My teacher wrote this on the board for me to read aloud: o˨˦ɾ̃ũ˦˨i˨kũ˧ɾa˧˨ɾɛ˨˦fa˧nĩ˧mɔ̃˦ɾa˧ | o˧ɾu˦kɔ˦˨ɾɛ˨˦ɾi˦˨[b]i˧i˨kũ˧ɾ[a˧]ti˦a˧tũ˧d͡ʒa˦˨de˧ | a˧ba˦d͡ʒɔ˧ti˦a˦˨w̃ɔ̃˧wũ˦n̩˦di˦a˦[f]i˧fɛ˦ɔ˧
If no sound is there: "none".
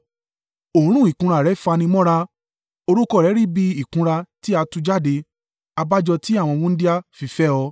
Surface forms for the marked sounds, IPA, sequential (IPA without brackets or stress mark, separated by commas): b, a˧, f